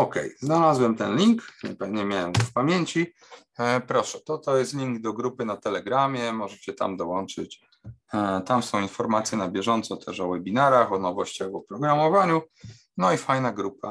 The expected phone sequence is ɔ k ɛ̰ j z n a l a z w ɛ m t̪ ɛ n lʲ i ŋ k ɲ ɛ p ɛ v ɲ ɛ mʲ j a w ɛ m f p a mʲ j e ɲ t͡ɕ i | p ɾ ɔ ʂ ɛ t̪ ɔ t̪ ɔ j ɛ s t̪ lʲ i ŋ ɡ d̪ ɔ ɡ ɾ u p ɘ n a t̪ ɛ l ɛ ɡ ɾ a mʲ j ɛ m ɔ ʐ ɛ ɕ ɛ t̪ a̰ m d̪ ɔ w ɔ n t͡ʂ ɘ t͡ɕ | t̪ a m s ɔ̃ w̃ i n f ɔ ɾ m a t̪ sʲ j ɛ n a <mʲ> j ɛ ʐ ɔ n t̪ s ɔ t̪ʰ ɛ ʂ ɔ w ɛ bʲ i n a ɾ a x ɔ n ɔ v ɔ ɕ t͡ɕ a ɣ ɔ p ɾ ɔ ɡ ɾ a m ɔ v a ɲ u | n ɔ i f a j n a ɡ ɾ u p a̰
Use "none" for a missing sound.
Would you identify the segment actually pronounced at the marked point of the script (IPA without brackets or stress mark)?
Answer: bʲ